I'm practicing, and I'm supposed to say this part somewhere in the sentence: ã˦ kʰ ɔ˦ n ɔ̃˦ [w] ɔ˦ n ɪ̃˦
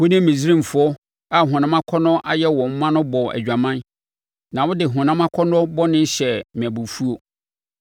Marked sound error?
yes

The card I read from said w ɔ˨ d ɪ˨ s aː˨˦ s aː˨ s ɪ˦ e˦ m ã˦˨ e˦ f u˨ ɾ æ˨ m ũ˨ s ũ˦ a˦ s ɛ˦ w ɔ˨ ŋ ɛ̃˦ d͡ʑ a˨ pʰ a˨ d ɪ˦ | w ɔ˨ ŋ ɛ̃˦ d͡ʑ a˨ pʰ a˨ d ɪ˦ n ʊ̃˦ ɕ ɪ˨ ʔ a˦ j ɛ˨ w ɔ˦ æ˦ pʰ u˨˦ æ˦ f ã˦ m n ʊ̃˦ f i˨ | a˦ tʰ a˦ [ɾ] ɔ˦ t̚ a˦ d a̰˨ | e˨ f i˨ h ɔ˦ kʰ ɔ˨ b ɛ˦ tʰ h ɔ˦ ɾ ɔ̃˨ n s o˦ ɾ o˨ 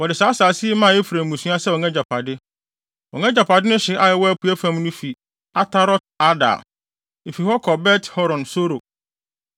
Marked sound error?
no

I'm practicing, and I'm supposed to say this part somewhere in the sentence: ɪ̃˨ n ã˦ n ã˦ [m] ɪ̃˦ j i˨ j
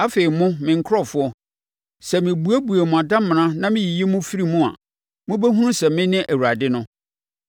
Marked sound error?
no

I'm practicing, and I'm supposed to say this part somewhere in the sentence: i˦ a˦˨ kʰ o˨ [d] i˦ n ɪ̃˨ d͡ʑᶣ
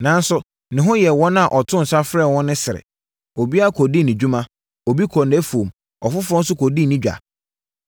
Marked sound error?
no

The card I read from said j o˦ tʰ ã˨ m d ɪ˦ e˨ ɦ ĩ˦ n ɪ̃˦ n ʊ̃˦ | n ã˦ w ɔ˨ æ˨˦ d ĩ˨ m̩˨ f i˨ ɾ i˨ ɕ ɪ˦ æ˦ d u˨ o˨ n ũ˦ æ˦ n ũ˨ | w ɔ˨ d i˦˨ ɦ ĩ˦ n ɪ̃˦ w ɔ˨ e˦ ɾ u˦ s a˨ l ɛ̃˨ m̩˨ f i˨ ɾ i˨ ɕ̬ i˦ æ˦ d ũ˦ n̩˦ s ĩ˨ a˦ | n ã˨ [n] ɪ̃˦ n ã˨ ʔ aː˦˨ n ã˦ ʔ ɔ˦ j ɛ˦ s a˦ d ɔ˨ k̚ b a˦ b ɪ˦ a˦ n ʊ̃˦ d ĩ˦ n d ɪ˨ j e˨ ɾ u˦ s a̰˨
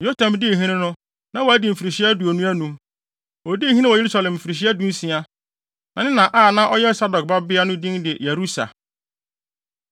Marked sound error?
no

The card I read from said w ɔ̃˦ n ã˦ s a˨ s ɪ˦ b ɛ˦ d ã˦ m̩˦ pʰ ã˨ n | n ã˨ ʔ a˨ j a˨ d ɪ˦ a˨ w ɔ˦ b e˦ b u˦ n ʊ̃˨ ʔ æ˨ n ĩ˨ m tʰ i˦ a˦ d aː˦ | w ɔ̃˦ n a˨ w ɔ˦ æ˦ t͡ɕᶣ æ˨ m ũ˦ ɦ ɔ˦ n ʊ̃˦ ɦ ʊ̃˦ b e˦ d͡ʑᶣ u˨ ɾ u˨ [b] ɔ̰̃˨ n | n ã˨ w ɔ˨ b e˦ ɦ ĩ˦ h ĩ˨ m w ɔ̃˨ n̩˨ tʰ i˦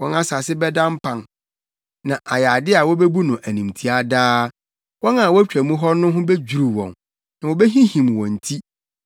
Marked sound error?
yes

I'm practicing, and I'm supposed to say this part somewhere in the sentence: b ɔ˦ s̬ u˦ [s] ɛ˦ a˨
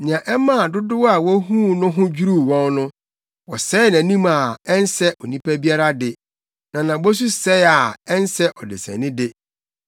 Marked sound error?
no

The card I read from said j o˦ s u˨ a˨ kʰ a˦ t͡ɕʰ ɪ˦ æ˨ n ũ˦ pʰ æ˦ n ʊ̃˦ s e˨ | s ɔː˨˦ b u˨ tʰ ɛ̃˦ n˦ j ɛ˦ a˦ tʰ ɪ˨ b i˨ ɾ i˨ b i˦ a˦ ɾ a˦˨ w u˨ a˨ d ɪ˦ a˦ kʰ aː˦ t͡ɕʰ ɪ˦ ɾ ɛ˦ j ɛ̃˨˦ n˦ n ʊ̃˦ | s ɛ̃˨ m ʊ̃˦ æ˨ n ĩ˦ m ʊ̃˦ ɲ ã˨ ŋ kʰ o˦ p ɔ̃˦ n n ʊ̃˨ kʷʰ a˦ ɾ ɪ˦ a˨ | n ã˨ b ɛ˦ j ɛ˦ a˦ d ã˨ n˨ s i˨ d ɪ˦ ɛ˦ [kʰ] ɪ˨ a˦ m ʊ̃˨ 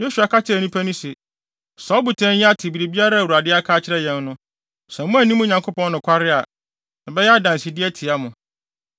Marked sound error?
yes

